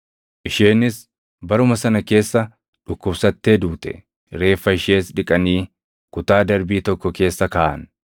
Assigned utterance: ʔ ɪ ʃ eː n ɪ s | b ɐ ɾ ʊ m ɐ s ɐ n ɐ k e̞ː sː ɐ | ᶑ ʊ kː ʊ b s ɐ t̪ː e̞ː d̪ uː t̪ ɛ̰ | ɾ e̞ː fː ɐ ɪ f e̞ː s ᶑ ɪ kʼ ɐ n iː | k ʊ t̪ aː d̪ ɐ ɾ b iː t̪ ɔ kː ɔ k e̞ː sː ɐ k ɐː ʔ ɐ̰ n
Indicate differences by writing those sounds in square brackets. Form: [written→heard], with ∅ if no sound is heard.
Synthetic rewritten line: ʔ ɪ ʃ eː n ɪ s | b ɐ ɾ ʊ m ɐ s ɐ n ɐ k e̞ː sː ɐ | ᶑ ʊ kː ʊ b s ɐ t̪ː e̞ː d̪ uː t̪ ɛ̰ | ɾ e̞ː fː ɐ ɪ [f→ʃ] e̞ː s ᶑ ɪ kʼ ɐ n iː | k ʊ t̪ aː d̪ ɐ ɾ b iː t̪ ɔ kː ɔ k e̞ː sː ɐ k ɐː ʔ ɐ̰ n